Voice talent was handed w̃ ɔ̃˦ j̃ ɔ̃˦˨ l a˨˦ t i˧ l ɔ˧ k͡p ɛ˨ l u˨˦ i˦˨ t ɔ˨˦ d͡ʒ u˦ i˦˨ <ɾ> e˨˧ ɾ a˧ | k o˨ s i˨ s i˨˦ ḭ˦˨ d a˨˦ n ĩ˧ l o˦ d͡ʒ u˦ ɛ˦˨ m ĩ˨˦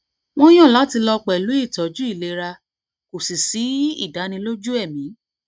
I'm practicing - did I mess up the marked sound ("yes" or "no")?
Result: yes